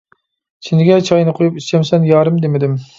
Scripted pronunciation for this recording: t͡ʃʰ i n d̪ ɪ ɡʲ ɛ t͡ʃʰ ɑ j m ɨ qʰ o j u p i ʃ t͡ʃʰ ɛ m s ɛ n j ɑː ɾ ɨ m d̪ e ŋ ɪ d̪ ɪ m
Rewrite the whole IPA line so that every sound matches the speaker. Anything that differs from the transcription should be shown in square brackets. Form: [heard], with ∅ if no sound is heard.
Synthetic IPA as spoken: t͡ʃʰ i n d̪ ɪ ɡʲ ɛ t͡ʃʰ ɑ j [n] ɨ qʰ o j u p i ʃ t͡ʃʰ ɛ m s ɛ n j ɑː ɾ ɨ m d̪ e [m] ɪ d̪ ɪ m

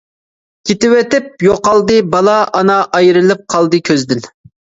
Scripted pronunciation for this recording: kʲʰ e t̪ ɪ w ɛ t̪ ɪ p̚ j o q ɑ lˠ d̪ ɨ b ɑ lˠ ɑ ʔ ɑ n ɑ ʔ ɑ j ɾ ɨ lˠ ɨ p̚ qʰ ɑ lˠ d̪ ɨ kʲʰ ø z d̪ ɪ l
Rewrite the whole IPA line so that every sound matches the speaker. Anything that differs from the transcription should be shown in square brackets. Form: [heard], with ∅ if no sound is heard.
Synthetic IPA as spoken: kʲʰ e t̪ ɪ w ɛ t̪ ɪ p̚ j o q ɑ lˠ d̪ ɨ b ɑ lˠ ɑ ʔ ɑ n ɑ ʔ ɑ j ɾ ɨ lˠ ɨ p̚ qʰ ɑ lˠ d̪ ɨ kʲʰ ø z d̪ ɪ l

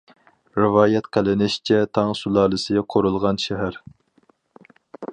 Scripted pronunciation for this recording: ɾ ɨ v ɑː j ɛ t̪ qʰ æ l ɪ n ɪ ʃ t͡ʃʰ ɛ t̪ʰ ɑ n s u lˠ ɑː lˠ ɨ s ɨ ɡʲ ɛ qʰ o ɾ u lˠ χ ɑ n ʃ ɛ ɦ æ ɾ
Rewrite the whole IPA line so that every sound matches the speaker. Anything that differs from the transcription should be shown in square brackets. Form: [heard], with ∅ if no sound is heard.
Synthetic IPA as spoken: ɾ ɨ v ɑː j ɛ t̪ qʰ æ l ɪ n ɪ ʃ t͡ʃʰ ɛ t̪ʰ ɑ [ŋ] s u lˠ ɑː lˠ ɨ s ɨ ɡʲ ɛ qʰ o ɾ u lˠ [ʁ] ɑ n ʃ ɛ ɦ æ ɾ

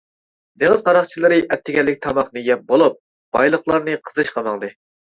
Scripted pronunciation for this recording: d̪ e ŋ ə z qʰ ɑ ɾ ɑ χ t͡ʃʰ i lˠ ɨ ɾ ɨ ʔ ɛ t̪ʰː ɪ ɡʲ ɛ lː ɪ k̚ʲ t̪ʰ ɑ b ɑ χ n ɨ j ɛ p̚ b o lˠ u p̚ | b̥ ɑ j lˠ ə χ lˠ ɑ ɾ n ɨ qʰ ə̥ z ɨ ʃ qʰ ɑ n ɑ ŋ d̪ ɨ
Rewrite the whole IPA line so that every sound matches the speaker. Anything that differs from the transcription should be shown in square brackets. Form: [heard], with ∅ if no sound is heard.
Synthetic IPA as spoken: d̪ e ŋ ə z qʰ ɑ ɾ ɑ χ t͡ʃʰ i lˠ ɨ ɾ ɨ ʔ ɛ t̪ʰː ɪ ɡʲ ɛ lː ɪ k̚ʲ t̪ʰ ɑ [m] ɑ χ n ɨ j ɛ p̚ b o lˠ u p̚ | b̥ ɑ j lˠ ə χ lˠ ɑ ɾ n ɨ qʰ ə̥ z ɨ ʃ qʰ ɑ [m] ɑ ŋ d̪ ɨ

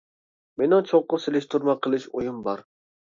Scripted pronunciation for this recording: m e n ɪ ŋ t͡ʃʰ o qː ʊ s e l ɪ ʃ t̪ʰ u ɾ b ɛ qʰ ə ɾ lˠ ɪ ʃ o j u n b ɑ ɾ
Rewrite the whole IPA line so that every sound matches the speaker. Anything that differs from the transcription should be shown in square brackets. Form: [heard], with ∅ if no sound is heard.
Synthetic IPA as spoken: m e n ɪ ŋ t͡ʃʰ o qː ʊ s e l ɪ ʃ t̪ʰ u ɾ [m] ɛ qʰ ə [∅] lˠ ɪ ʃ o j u [m] b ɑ ɾ

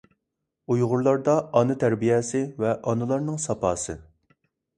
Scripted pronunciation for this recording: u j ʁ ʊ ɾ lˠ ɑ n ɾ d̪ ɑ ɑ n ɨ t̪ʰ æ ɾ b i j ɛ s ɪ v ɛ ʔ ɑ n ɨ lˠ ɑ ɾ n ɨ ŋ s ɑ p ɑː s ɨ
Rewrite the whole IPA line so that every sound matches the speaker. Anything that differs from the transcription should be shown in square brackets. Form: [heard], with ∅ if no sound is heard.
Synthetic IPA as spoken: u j ʁ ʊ ɾ lˠ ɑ [∅] ɾ d̪ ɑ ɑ n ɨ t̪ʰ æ ɾ b i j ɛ s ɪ v ɛ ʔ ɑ n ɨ lˠ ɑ ɾ n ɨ ŋ s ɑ p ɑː s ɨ

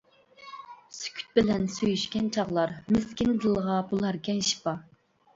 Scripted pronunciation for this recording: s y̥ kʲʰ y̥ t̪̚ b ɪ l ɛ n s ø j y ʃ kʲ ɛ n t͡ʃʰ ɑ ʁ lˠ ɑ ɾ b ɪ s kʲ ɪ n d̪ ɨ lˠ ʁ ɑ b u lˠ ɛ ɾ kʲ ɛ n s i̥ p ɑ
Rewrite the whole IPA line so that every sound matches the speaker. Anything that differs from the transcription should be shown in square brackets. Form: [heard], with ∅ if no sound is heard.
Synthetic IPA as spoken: s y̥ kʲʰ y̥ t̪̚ b ɪ l ɛ n s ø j y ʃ kʲ ɛ n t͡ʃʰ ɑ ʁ lˠ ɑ ɾ [m] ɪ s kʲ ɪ n d̪ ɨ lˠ ʁ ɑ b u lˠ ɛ ɾ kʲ ɛ n [ʃ] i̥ p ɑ

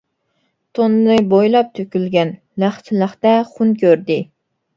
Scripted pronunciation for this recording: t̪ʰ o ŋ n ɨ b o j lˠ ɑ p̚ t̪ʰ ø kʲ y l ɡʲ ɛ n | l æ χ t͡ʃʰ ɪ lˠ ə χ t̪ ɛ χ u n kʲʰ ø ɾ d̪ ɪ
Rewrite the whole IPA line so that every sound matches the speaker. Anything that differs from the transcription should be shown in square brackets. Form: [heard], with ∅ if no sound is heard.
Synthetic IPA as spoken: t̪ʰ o [n] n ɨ b o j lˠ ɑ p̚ t̪ʰ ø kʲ y l ɡʲ ɛ n | l æ χ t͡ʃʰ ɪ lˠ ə χ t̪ ɛ χ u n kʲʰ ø ɾ d̪ ɪ

